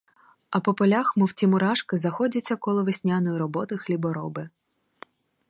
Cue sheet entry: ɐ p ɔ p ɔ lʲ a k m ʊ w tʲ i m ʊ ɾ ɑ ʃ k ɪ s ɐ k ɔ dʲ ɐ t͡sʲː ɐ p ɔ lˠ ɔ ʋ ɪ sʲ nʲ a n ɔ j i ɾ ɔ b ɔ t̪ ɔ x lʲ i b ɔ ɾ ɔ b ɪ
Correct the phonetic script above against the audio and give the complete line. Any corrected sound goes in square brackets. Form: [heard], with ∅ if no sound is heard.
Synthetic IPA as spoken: ɐ p ɔ p ɔ lʲ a [x] m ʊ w tʲ i m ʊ ɾ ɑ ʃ k ɪ [z] ɐ [x] ɔ dʲ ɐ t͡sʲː ɐ [k] ɔ lˠ ɔ ʋ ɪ sʲ nʲ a n ɔ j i ɾ ɔ b ɔ t̪ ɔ x lʲ i b ɔ ɾ ɔ b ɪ